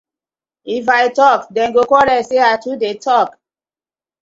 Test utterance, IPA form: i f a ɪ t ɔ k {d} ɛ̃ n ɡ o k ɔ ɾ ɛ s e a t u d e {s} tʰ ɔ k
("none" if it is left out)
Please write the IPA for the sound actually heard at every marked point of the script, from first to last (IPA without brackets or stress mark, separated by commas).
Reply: d, none